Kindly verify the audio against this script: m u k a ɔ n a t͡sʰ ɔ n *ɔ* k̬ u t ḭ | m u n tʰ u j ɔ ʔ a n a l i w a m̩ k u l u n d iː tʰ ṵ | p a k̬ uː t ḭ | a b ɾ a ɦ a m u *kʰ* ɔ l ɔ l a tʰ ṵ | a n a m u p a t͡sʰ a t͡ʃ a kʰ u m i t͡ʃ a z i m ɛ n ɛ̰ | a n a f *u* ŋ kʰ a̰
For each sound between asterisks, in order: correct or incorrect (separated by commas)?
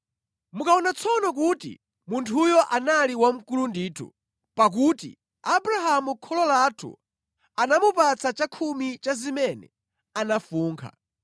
correct, correct, incorrect